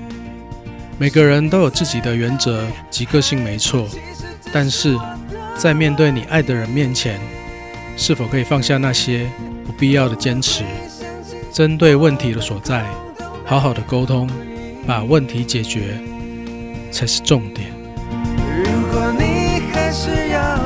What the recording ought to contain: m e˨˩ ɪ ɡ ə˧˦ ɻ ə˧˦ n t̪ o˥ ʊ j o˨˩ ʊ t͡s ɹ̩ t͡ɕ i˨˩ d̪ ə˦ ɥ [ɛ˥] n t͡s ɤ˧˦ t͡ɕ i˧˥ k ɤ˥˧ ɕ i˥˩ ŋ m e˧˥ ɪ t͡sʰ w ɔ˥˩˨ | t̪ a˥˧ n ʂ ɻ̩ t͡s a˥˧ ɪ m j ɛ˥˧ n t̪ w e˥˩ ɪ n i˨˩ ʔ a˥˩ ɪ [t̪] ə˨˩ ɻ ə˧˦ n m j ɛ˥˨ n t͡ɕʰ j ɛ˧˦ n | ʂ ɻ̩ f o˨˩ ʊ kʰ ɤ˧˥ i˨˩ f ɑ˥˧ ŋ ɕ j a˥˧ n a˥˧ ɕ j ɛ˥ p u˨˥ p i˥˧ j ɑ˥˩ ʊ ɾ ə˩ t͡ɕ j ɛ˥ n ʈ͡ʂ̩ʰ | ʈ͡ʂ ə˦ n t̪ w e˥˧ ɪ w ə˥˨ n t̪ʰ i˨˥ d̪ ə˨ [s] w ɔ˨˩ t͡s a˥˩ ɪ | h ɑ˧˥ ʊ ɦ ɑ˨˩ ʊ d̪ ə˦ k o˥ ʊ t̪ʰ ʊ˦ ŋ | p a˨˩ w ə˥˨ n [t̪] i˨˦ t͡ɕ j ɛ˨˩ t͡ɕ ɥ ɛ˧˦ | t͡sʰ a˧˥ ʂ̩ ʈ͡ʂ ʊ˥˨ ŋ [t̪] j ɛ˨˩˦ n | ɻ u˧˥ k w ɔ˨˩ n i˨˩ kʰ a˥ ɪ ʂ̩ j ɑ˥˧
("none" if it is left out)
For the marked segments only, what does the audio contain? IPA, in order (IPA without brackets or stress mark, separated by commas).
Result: ɛ˧˦, d̪, s, t̪ʰ, t̪